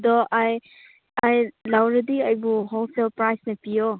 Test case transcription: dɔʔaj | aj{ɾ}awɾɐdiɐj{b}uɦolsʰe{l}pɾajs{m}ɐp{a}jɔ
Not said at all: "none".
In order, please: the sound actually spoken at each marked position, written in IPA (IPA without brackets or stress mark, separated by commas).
l, b, l, n, i